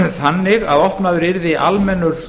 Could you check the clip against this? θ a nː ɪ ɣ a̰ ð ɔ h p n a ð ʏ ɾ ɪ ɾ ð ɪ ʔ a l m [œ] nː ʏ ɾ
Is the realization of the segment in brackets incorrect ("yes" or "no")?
yes